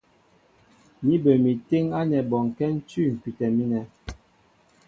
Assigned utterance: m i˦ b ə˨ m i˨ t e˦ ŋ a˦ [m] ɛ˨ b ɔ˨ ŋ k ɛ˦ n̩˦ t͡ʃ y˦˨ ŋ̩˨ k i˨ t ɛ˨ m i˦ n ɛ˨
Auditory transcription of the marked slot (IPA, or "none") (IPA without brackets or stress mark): n